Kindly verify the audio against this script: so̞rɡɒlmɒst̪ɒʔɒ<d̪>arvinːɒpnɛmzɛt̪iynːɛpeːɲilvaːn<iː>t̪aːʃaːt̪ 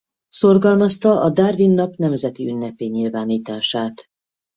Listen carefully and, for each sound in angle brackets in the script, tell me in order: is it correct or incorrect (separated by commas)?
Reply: correct, correct